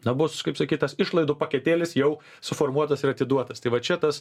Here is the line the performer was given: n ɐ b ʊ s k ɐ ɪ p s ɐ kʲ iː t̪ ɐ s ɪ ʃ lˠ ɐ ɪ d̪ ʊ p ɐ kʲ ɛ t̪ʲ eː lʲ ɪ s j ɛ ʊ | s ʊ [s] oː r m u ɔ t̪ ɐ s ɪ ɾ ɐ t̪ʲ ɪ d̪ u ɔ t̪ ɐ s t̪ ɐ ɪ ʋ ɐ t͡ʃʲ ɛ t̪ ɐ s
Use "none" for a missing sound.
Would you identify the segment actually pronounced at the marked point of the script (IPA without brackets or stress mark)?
f